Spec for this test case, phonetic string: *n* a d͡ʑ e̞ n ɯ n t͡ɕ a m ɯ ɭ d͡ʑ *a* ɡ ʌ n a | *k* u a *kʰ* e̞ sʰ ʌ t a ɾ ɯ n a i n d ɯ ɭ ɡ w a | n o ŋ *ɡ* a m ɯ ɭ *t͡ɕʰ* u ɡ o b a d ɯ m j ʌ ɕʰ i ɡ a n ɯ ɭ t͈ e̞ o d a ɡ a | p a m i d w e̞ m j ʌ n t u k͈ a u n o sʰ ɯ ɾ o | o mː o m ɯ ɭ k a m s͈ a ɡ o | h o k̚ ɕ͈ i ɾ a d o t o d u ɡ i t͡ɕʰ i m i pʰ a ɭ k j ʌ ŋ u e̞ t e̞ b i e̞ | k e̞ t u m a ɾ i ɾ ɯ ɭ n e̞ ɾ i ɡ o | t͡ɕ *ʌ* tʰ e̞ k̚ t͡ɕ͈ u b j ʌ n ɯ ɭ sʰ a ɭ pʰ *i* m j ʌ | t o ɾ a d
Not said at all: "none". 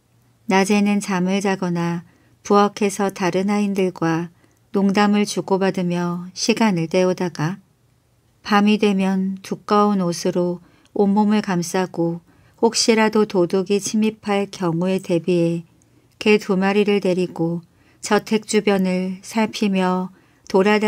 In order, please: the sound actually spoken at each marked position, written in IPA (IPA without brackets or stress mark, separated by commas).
n, a, p, kʰ, d, t͡ɕ, ʌ, i